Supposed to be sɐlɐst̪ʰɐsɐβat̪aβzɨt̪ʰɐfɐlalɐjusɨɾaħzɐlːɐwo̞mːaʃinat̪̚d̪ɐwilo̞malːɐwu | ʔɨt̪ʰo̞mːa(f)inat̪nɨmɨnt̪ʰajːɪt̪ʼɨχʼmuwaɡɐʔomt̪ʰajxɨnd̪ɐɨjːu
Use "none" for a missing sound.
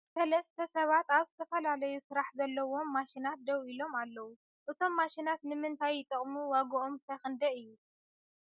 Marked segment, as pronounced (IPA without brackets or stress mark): ʃ